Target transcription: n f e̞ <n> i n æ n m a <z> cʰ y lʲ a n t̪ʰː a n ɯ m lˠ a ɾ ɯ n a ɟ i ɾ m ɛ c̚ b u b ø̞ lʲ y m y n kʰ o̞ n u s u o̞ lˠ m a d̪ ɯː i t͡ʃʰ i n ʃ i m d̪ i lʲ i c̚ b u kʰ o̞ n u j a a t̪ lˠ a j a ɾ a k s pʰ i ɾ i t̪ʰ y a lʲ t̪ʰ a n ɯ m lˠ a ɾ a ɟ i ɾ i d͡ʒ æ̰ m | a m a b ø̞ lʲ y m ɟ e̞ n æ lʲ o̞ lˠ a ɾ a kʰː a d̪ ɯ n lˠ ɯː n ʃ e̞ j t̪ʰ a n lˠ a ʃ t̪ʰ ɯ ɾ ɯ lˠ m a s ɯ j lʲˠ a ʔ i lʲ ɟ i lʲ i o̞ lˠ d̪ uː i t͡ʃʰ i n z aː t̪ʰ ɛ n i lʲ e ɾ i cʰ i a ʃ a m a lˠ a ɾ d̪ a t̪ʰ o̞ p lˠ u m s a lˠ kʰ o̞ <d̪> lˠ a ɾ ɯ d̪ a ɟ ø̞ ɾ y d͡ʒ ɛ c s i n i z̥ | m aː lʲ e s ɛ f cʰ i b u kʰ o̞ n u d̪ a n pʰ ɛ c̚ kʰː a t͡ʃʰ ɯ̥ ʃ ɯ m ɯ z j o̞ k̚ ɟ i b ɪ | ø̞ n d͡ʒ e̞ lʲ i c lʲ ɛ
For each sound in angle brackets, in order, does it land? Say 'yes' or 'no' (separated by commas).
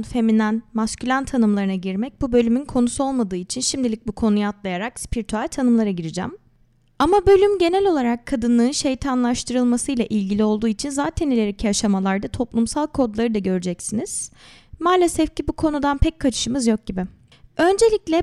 no, no, yes